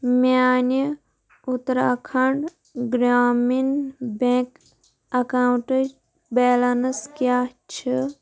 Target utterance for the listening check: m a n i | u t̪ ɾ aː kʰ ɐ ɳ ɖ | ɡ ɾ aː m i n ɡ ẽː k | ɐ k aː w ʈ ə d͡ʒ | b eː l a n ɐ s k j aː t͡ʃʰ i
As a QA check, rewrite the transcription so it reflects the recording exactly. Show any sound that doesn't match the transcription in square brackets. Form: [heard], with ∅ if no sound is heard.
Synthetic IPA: m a n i | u t̪ ɾ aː kʰ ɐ ɳ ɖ | ɡ ɾ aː m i n [b] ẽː k | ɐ k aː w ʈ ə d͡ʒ | b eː l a n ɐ s k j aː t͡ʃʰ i